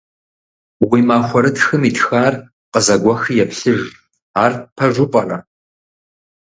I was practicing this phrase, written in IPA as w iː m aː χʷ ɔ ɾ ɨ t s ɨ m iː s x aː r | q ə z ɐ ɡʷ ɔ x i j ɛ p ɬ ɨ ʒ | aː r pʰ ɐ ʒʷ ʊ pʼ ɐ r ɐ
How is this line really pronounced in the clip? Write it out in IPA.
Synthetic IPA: w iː m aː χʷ ɔ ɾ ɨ t x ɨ m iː t x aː r | q ə z ɐ ɡʷ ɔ x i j ɛ p ɬ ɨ ʒ | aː r pʰ ɐ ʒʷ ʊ pʼ ɐ r ɐ